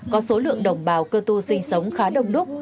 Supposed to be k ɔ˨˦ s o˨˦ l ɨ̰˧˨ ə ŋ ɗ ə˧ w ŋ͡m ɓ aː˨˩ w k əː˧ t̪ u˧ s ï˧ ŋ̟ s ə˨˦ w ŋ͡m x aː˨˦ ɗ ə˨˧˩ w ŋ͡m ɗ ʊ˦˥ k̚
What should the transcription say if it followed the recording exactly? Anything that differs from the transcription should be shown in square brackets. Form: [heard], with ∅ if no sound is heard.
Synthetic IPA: k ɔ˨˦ s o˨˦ l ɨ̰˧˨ ə ŋ ɗ [ə˨˩] w ŋ͡m ɓ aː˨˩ w k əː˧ t̪ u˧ s ï˧ ŋ̟ s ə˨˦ w ŋ͡m x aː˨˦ ɗ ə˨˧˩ w ŋ͡m ɗ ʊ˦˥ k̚

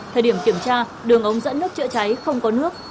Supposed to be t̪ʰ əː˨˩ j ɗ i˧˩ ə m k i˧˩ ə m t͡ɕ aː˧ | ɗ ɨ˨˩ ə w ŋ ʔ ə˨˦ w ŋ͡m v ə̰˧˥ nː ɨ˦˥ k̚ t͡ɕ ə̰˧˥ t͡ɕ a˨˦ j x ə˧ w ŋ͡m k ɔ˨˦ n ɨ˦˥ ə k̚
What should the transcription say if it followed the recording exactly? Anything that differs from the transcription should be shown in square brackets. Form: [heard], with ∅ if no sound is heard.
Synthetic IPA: t̪ʰ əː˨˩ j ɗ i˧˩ ə m k i˧˩ ə m t͡ɕ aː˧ | ɗ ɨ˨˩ ə [∅] ŋ ʔ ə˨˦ w ŋ͡m [z] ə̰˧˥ nː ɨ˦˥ k̚ t͡ɕ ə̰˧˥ t͡ɕ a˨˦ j x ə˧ w ŋ͡m k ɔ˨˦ n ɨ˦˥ ə k̚

